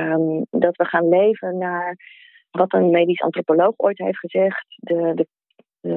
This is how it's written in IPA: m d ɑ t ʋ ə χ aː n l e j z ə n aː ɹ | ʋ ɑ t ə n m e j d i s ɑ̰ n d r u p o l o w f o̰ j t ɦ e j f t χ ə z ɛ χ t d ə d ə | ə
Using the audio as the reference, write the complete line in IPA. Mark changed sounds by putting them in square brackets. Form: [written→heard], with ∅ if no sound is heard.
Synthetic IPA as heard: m d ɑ t ʋ ə χ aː n l e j [z→v] ə n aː ɹ | ʋ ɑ t ə n m e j d i s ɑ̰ n [d→t] r [u→o] p o l o w [f→χ] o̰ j t ɦ e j f t χ ə z ɛ χ t d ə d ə | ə